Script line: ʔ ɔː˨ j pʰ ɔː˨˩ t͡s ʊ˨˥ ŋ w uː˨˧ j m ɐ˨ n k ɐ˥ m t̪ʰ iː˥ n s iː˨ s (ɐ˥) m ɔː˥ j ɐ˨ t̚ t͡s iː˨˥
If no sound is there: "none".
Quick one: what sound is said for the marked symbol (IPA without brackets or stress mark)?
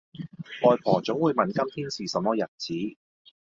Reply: ɐ˨